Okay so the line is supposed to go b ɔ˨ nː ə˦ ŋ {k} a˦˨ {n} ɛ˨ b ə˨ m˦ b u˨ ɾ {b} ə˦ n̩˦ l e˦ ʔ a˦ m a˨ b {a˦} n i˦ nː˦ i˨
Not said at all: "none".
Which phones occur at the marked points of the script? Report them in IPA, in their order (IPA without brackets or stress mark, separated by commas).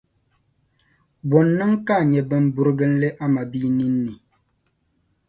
k, ɲ, ɡ, i˦